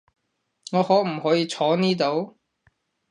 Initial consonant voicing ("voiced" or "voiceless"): voiced